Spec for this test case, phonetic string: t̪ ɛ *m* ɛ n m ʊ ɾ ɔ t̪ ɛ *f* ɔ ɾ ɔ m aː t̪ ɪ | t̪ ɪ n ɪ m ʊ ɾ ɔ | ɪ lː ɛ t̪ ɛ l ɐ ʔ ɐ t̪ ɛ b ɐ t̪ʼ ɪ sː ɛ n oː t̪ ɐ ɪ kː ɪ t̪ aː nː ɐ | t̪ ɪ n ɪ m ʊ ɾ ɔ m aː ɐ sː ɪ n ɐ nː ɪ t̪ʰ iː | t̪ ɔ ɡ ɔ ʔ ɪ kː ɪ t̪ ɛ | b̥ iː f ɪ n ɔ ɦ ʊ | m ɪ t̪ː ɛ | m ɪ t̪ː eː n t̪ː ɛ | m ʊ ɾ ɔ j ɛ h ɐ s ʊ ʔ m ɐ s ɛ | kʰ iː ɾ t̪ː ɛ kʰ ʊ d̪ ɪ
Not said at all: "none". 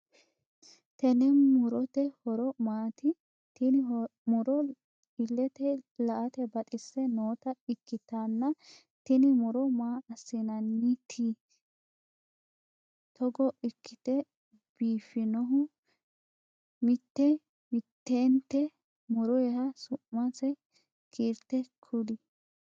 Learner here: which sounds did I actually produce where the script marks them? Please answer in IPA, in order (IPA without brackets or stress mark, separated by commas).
n, h